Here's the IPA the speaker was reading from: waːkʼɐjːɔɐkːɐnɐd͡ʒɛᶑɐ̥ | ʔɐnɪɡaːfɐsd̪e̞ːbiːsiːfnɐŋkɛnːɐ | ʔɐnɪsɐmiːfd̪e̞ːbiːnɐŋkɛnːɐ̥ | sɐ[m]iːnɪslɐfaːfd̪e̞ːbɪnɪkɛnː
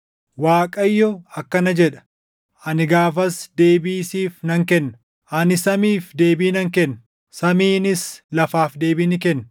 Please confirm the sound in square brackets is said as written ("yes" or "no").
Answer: yes